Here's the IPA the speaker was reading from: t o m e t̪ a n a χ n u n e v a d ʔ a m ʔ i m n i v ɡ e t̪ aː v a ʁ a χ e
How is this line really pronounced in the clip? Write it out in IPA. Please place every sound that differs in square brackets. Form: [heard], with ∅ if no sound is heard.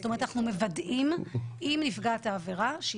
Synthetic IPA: t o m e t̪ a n a χ n u [m] e v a d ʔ [i] m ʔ i m n i [f] ɡ [a] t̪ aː v [e] ʁ a [ʃ] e